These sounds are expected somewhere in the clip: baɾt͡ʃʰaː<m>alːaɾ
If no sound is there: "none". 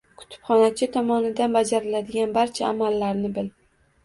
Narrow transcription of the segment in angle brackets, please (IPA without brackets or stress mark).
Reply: m